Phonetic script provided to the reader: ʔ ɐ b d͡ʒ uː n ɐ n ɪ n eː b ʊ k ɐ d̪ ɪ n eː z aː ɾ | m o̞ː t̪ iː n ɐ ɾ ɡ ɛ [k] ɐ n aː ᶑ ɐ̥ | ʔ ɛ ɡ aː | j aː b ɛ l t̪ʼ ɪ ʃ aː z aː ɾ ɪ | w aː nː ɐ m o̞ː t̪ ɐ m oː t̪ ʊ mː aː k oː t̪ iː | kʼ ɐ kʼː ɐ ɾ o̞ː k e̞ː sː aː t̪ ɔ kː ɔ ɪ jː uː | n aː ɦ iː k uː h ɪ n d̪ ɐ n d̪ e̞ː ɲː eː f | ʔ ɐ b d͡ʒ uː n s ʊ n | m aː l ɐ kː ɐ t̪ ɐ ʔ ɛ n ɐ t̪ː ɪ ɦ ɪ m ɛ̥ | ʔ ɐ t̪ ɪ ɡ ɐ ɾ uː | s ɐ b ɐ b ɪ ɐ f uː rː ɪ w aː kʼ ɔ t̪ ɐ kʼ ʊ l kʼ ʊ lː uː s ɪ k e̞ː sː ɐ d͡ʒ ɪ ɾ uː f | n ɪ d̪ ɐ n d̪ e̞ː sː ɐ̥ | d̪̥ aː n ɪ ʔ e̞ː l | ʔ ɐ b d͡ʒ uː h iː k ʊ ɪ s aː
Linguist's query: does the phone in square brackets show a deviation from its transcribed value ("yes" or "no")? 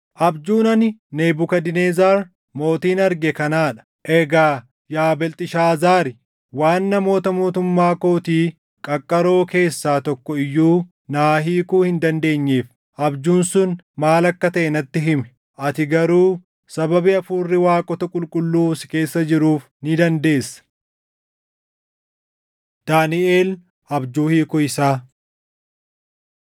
no